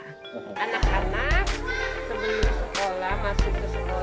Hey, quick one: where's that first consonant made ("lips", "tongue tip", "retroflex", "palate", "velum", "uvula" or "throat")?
tongue tip